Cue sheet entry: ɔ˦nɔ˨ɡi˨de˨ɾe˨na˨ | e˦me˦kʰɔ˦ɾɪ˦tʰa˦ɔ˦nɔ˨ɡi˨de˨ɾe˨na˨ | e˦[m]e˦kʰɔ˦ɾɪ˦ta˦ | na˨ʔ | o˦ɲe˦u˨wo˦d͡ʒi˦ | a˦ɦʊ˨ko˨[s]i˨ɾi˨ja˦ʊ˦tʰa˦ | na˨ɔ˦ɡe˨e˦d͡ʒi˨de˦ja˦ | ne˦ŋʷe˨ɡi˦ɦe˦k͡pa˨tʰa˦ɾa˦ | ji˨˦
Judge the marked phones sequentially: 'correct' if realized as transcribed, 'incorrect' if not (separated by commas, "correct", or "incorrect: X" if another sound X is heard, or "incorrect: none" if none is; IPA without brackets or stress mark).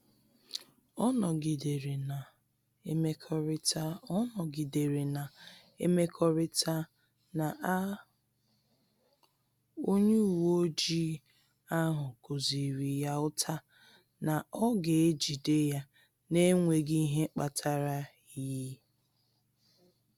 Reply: correct, incorrect: z